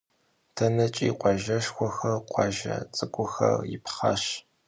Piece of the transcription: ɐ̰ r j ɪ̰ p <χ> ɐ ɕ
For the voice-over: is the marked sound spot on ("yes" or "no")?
yes